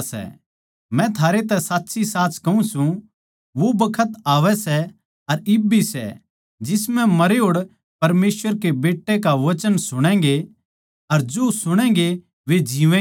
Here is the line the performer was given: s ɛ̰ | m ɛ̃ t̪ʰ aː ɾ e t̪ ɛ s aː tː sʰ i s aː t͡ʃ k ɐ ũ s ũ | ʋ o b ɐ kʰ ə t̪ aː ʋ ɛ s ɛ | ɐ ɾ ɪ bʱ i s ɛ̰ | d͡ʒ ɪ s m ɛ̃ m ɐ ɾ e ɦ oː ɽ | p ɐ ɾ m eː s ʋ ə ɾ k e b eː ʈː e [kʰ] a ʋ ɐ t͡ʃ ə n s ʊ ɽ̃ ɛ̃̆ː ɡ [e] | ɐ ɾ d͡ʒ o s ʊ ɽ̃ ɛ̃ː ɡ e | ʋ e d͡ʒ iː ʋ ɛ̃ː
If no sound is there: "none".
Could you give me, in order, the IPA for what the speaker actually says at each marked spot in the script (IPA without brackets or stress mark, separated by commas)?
k, e